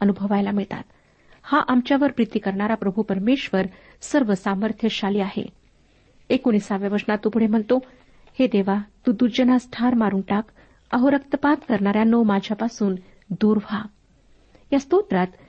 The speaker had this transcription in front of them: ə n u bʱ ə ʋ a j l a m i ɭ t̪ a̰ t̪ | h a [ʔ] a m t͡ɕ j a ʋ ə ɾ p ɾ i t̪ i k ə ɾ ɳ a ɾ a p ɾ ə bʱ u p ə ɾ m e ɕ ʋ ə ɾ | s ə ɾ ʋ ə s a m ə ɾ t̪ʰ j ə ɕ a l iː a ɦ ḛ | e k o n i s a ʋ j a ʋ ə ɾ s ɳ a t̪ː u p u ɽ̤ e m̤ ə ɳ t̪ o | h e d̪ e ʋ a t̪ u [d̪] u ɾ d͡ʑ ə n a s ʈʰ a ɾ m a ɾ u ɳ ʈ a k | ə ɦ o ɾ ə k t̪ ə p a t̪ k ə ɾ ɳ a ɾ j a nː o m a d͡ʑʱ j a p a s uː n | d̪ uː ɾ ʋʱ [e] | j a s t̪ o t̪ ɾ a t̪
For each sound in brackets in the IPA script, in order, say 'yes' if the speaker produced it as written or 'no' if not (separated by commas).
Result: yes, yes, no